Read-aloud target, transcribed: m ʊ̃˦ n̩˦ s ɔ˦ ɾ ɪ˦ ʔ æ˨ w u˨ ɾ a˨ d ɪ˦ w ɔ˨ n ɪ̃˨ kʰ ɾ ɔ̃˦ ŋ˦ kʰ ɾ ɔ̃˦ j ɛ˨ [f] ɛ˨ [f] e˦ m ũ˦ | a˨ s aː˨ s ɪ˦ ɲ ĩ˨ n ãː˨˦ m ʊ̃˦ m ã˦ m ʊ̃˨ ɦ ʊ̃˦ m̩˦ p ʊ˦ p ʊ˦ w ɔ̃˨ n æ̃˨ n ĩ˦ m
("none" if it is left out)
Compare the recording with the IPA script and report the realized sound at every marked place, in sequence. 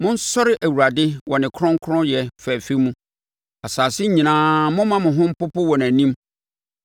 f, f

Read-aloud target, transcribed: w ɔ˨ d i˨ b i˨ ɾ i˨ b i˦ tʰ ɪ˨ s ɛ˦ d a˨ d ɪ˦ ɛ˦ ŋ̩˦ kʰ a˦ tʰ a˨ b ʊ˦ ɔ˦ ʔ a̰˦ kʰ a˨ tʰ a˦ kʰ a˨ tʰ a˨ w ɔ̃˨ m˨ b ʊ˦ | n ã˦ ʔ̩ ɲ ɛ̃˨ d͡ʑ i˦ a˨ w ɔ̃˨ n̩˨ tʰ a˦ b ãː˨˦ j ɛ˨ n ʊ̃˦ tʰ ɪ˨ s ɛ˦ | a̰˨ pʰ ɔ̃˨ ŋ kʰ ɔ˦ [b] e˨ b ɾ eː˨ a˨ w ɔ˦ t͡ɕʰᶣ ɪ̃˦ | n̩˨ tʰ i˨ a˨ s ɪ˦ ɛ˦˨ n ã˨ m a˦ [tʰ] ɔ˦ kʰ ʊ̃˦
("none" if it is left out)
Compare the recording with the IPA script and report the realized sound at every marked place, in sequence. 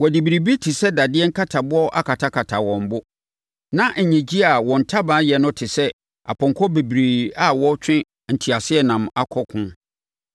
b, kʰ

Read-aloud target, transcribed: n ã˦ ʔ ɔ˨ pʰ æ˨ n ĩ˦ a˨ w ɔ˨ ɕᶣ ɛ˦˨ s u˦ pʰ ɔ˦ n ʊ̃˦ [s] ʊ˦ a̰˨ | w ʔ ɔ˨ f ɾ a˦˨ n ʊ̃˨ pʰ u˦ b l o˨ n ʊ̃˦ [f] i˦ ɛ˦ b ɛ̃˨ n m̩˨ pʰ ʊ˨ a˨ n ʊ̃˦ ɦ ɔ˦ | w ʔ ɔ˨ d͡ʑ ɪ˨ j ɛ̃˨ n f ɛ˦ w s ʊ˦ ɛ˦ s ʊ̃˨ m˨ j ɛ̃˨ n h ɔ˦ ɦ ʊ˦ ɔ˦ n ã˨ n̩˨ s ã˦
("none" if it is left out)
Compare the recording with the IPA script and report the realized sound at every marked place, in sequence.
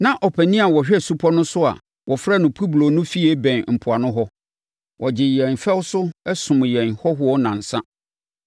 s, f

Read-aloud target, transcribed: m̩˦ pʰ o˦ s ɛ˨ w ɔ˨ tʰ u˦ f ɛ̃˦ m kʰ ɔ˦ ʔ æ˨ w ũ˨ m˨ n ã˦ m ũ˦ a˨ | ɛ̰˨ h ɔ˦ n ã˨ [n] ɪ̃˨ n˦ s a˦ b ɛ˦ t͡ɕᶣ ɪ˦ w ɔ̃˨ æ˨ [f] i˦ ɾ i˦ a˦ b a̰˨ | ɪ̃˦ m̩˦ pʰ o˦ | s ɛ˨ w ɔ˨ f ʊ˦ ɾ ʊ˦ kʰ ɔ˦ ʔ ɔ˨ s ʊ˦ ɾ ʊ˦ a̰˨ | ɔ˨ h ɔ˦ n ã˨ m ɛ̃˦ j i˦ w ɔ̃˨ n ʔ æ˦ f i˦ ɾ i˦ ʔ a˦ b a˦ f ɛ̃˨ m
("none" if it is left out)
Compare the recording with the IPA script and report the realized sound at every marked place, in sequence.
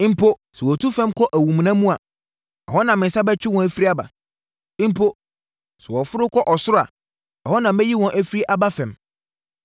m, f

